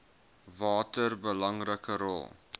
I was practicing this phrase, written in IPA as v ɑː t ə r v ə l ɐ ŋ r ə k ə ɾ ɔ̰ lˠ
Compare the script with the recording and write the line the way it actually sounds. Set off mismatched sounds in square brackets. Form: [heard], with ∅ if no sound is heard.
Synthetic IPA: v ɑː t ə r [b] ə l ɐ ŋ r ə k ə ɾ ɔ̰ lˠ